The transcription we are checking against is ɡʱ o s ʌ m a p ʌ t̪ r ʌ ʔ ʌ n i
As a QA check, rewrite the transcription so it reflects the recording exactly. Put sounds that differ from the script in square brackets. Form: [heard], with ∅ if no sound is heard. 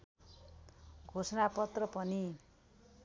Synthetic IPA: ɡʱ o s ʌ [n] a p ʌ t̪ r ʌ [p] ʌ n i